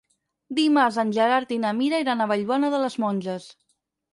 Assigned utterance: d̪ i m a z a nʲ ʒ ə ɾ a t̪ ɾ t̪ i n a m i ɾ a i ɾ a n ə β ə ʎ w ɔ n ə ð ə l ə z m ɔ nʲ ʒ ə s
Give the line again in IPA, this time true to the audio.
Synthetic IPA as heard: d̪ i m a z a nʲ ʒ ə ɾ a ɾ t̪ i n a m i ɾ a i ɾ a n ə β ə ʎ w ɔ n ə ð ə l ə z m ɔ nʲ ʒ ə s

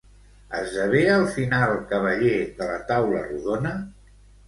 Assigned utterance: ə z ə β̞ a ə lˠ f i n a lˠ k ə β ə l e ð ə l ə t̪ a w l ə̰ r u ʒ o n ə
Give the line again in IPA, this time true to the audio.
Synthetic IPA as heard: ə z ə β̞ e ə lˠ f i n a lˠ k ə β ə ʎ e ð ə l ə t̪ a w l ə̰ r u ð o n ə

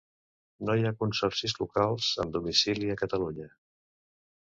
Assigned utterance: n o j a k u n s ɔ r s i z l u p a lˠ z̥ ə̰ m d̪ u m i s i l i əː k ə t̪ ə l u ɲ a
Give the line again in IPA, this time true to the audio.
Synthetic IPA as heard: n o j a k u n s ɔ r s i z l u k a lˠ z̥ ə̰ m d̪ u m i s i l i ə k ə t̪ ə l u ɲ ə

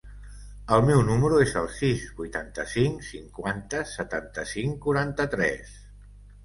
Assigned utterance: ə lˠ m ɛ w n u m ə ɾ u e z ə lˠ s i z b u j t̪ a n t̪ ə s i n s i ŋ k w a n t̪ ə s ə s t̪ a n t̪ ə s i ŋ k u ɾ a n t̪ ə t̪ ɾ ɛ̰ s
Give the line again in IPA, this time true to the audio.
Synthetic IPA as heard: ə lˠ m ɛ w n u m ə ɾ u e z ə lˠ s i z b u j t̪ a n t̪ ə s i ŋ s i ŋ k w a n t̪ ə s ə t̪ a n t̪ ə s i ŋ k u ɾ a n t̪ ə t̪ ɾ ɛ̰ s

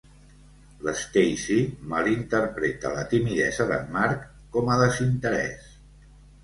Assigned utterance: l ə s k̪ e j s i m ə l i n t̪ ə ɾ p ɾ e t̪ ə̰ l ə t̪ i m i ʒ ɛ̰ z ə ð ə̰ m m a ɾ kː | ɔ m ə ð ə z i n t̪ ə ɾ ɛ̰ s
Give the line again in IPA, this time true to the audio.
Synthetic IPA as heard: l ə s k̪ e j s i m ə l i n t̪ ə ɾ p ɾ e t̪ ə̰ l ə t̪ i m i ð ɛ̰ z ə ð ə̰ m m a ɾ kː | ɔ m ə ð ə z i n t̪ ə ɾ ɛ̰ s

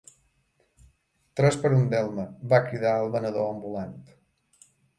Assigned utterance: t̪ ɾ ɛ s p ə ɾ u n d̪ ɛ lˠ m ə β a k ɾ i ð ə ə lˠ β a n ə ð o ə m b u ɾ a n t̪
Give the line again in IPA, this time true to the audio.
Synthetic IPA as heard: t̪ ɾ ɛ s p ə ɾ u n d̪ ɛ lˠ m ə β a k ɾ i ð a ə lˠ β ə n ə ð o ə m b u l a n t̪

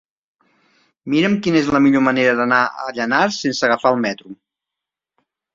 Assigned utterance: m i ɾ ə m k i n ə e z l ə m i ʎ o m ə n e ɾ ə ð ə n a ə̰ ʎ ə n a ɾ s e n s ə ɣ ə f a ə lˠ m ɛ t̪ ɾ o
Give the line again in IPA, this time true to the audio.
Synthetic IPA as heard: m i ɾ ə m k i n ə e z l ə m i ʎ o m ə n e ɾ ə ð ə n a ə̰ ʎ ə n a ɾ s e n s ə ɣ ə f a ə lˠ m ɛ t̪ ɾ u

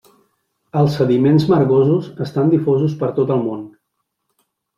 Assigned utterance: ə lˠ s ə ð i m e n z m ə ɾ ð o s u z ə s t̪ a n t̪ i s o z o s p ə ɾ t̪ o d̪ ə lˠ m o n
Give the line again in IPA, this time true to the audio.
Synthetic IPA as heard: ə lˠ s ə ð i m e n z m ə ɾ ɣ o z u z ə s t̪ a n d̪ i f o z u s p ə ɾ t̪ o t̪ ə lˠ m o n

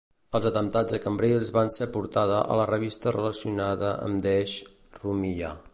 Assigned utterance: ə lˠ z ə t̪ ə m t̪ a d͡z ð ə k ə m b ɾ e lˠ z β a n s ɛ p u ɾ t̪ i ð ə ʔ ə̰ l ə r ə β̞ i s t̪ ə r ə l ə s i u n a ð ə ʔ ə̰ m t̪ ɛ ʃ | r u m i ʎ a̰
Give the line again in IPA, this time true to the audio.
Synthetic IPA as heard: ə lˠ z ə t̪ ə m t̪ a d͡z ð ə k ə m b ɾ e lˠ z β a n s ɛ p u ɾ t̪ a ð ə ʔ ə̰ l ə r ə β̞ i s t̪ ə r ə l ə s i u n a ð ə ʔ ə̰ m d̪ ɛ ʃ | r u m i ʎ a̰

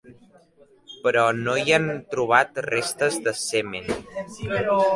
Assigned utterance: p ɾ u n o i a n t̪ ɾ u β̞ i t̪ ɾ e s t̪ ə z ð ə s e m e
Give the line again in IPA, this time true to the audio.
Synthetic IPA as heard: p ɾ ɔ n o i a n t̪ ɾ u β̞ a t̪ r e s t̪ ə z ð ə s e m e

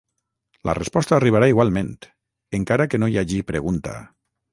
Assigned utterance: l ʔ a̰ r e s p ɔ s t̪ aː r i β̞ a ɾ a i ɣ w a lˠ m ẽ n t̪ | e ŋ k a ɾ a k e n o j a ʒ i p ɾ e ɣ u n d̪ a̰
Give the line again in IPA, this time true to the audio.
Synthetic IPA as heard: l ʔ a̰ r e s p ɔ s t̪ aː r i β̞ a ɾ a i ɣ w a lˠ m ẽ n t̪ | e ŋ k a ɾ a k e n o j a ʒ i p ɾ e ɣ u n t̪ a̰

